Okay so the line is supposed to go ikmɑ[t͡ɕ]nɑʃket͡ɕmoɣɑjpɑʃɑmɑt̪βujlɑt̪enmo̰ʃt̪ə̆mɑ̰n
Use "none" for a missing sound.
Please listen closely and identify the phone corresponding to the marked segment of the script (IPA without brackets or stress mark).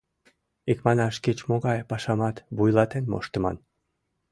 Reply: none